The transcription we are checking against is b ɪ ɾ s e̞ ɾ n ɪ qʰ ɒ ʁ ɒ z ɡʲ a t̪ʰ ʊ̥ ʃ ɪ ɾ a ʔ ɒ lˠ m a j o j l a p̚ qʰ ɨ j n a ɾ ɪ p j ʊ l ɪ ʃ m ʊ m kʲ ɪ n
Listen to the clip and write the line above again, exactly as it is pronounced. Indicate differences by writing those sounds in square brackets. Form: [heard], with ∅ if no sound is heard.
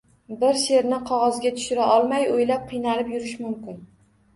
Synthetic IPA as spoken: b ɪ ɾ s e̞ ɾ n ɪ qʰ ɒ ʁ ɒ z ɡʲ a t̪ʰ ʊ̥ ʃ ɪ ɾ a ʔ ɒ lˠ m a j o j l a p̚ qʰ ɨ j n a ɾ ɪ p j ʊ [ɾ] ɪ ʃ m ʊ m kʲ ɪ n